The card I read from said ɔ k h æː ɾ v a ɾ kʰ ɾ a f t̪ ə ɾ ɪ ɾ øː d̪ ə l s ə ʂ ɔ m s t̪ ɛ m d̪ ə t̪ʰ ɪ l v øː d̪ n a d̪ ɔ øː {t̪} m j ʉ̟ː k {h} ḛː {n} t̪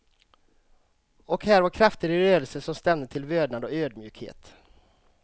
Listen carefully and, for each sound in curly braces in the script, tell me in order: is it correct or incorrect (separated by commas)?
incorrect, correct, incorrect